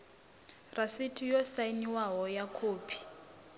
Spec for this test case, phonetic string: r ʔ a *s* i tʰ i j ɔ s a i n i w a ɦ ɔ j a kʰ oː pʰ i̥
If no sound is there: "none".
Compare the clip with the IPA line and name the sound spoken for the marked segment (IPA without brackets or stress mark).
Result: s